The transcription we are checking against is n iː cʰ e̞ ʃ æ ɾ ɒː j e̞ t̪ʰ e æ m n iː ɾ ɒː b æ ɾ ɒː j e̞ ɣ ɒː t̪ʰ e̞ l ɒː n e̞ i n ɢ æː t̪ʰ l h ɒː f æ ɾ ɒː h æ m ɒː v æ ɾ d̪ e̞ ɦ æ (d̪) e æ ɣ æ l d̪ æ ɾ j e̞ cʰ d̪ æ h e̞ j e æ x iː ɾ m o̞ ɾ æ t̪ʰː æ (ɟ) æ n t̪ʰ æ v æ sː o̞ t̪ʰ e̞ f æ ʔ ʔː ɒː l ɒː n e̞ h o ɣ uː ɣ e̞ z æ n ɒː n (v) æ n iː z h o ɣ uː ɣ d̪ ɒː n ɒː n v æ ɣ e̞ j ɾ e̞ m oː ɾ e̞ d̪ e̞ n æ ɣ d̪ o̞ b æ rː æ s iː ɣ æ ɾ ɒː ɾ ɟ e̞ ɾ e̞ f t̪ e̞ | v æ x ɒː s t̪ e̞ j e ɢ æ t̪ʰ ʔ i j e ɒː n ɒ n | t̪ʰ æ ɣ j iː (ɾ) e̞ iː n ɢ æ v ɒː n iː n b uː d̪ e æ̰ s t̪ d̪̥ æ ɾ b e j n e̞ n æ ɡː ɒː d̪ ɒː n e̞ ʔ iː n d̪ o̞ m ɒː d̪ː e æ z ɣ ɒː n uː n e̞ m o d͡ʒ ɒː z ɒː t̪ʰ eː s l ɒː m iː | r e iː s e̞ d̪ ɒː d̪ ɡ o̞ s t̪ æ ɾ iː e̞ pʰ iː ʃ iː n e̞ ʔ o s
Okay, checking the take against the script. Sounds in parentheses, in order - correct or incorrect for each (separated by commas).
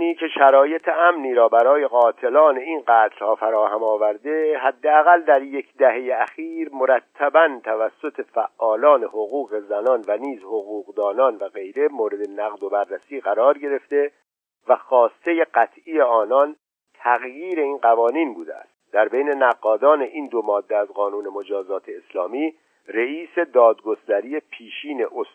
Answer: incorrect, incorrect, correct, correct